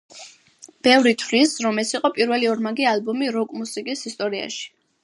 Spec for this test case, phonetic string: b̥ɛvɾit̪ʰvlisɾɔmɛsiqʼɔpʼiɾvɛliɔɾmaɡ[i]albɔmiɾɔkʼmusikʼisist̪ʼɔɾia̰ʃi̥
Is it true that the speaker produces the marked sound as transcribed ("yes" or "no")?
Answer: yes